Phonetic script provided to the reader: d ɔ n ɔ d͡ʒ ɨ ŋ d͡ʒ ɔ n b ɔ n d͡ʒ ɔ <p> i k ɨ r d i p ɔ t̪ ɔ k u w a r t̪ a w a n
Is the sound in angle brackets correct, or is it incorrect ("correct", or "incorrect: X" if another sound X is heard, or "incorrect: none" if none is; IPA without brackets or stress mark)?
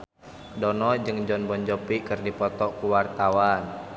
correct